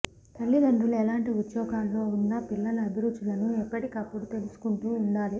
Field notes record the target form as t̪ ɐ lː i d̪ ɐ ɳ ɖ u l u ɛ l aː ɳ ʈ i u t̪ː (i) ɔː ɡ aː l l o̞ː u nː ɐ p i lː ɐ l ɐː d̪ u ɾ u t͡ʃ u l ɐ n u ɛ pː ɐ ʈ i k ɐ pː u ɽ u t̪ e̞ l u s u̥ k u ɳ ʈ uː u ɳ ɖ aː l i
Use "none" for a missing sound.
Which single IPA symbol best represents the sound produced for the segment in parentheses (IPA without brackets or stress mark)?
j